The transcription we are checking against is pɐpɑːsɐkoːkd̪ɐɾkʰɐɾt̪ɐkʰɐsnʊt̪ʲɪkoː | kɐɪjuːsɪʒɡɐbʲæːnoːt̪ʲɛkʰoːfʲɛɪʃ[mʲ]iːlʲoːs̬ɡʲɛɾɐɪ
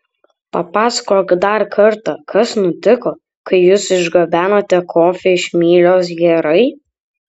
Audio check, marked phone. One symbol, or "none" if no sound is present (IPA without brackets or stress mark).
mʲ